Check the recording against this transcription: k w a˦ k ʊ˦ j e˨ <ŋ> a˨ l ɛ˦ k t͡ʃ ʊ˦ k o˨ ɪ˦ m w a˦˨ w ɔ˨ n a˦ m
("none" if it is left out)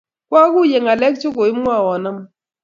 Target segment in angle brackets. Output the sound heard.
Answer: ŋ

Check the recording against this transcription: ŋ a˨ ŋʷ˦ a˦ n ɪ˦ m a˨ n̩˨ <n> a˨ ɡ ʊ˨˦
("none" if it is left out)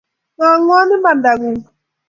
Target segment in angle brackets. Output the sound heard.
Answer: d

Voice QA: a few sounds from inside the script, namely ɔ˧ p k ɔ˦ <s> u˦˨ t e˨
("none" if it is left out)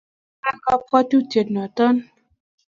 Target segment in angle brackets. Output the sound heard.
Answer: t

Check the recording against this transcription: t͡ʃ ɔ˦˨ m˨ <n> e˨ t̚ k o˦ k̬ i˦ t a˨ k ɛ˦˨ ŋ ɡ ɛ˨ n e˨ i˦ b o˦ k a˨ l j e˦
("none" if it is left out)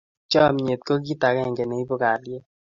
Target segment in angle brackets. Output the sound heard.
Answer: ɲ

